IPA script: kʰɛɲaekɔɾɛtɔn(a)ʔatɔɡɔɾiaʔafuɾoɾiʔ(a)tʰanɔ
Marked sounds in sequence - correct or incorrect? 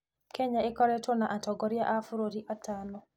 correct, correct

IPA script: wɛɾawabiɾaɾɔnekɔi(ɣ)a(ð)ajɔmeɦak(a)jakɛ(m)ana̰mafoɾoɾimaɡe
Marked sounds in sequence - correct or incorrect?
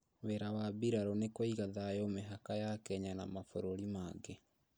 correct, correct, correct, incorrect: ɲ

